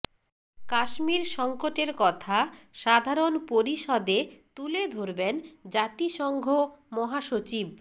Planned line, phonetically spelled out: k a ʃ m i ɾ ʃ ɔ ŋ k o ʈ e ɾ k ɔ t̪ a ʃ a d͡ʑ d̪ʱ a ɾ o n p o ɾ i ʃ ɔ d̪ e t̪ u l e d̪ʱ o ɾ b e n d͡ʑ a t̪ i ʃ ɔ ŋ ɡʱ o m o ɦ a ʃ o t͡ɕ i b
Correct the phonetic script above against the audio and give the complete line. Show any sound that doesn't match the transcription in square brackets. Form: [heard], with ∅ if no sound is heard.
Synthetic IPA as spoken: k a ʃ m i ɾ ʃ ɔ ŋ k o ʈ e ɾ k ɔ [t̪ʰ] a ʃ a [∅] d̪ʱ a ɾ o n p o ɾ i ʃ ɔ d̪ e t̪ u l e d̪ʱ o ɾ b e n d͡ʑ a t̪ i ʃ ɔ ŋ ɡʱ o m [ɔ] ɦ a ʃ o t͡ɕ i b